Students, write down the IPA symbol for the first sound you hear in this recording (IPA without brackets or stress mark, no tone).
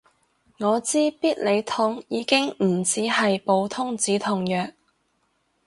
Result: ŋ